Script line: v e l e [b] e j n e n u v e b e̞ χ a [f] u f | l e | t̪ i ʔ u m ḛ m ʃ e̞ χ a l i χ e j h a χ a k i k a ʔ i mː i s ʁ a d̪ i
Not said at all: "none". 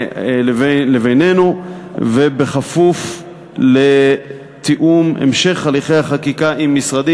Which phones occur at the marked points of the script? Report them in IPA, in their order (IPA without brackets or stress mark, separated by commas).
v, f